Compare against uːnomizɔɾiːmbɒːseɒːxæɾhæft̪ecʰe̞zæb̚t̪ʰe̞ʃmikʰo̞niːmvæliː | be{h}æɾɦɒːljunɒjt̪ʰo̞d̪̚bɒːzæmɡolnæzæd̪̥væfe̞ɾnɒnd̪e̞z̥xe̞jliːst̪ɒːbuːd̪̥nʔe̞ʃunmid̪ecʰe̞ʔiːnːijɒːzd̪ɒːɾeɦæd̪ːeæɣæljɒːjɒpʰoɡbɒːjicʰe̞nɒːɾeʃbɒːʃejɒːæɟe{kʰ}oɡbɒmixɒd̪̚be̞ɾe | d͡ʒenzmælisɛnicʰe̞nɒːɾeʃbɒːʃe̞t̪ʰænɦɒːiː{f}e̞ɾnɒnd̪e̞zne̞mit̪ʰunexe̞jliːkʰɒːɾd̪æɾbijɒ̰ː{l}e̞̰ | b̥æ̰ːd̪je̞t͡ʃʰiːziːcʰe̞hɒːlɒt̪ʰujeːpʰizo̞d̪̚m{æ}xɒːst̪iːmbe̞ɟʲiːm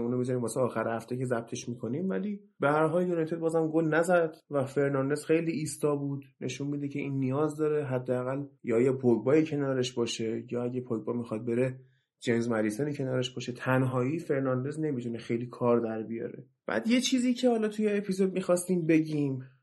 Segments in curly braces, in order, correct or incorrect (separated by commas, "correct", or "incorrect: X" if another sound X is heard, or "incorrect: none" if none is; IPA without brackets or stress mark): correct, incorrect: pʰ, correct, incorrect: ɾ, incorrect: i